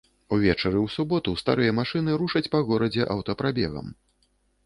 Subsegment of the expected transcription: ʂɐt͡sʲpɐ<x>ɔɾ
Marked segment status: incorrect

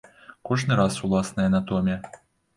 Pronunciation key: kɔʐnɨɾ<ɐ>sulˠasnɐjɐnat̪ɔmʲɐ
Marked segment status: incorrect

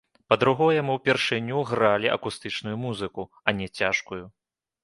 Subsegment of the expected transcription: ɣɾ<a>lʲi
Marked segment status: correct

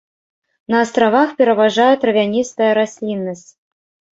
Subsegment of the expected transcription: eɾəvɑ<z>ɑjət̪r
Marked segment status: incorrect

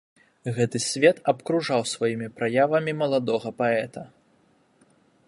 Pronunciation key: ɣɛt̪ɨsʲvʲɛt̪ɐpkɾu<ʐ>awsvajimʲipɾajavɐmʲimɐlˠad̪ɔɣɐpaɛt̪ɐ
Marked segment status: correct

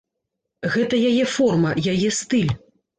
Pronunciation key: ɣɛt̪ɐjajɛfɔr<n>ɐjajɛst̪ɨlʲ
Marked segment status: incorrect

